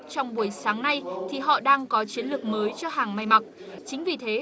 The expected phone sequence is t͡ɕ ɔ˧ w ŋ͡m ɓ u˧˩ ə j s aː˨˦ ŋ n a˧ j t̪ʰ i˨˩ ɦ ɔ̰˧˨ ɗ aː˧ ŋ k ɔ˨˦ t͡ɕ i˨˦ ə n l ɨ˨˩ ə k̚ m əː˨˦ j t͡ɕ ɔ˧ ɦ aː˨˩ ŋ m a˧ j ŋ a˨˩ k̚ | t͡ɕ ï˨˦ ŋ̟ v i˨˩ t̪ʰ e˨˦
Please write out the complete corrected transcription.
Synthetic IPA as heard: t͡ɕ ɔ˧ w ŋ͡m ɓ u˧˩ ə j s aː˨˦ ŋ n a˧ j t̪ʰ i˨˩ ɦ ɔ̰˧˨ ɗ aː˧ ŋ k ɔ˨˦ t͡ɕ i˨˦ ə n l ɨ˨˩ ə k̚ m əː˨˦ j t͡ɕ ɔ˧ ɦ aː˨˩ ŋ m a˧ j m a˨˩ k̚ | t͡ɕ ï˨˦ ŋ̟ v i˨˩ t̪ʰ e˨˦